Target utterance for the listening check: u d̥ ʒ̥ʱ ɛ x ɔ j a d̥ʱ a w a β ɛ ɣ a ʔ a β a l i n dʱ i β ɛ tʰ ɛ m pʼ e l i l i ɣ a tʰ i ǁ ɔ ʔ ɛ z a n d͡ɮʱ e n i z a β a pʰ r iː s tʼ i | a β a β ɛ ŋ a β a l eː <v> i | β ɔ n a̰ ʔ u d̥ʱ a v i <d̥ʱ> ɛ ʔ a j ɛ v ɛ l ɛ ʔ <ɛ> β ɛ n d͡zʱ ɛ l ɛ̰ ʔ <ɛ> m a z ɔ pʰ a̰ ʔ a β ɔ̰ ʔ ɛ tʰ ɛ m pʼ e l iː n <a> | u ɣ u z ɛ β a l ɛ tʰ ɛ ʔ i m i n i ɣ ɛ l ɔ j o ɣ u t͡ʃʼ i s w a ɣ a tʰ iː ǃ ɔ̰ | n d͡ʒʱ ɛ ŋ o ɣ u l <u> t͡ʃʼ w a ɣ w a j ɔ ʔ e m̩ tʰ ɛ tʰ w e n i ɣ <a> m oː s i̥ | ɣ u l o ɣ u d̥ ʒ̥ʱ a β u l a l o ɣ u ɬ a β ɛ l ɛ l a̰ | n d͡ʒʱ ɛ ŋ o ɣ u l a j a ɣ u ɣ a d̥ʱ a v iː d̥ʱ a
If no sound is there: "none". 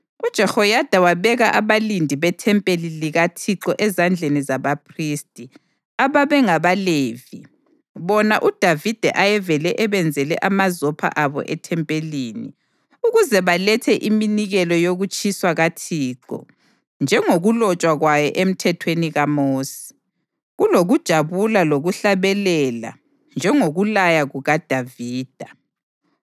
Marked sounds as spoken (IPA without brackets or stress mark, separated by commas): v, d̥ʱ, ɛ, a, i, ɔ, a